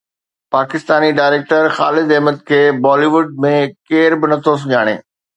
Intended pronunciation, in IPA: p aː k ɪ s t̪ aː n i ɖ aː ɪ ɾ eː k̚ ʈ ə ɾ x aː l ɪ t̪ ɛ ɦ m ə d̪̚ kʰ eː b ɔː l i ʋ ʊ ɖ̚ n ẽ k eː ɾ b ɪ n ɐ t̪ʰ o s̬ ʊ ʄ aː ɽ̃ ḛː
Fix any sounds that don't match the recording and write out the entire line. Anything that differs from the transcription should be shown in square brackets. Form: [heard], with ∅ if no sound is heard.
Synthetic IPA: p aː k ɪ s t̪ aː n i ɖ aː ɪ ɾ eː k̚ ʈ ə ɾ x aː l ɪ [d̪] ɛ ɦ m ə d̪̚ kʰ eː b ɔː l i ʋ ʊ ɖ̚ [m] ẽ k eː ɾ b ɪ n ɐ t̪ʰ o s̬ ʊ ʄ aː ɽ̃ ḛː